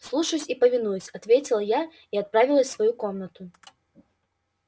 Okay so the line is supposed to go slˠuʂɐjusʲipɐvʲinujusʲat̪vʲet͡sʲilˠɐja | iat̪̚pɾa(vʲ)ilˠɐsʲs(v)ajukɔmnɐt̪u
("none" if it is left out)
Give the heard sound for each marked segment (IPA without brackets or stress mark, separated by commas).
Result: vʲ, v